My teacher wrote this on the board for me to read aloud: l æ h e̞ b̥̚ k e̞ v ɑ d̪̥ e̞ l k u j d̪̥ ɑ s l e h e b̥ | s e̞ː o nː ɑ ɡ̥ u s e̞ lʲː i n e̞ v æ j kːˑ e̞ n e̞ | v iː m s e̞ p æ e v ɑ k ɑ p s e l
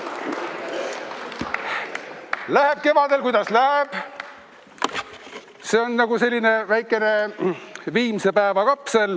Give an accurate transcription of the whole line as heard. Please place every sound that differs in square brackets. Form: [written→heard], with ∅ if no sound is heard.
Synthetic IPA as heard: l æ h e̞ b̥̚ k e̞ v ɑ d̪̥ e̞ l k u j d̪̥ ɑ s l [e→æ] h e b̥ | s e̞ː o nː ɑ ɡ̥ u s e̞ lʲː i n e̞ v æ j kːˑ e̞ n e̞ | v iː m s e̞ p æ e v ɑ k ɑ p s e l